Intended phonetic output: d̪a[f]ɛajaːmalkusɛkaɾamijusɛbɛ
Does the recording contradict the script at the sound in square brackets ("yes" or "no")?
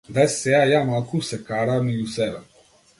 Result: yes